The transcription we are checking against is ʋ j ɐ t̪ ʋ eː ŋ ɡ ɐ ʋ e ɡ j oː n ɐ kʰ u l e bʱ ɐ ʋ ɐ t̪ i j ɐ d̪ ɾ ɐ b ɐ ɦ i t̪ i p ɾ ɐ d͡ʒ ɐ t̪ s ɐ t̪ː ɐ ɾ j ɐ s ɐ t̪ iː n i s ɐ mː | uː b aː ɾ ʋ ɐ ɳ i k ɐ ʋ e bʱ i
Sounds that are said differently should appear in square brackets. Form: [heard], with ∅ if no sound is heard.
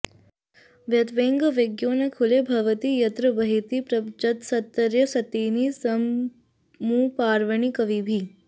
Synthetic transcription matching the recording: ʋ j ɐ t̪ ʋ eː ŋ ɡ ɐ ʋ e ɡ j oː n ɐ kʰ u l e bʱ ɐ ʋ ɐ t̪ i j ɐ [t̪] ɾ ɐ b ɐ ɦ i t̪ i p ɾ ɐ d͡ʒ ɐ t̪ s ɐ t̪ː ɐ ɾ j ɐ s ɐ t̪ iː n i s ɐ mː | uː [p] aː ɾ ʋ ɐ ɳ i k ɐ ʋ [i] bʱ i

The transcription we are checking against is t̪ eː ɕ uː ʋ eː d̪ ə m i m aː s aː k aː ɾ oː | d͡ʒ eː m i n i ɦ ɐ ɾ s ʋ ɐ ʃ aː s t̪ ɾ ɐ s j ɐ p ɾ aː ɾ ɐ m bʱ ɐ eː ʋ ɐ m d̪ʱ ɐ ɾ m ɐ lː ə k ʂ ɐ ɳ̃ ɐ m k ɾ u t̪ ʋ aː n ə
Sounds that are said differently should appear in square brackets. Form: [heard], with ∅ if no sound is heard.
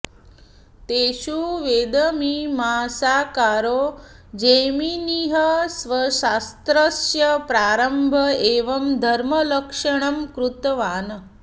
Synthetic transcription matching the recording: t̪ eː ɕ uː ʋ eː d̪ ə m i m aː s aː k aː ɾ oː | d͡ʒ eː m i n i ɦ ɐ [∅] s ʋ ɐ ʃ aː s t̪ ɾ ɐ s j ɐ p ɾ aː ɾ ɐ m bʱ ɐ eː ʋ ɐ m d̪ʱ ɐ ɾ m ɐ [l] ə k ʂ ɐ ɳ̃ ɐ m k ɾ u t̪ ʋ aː n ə

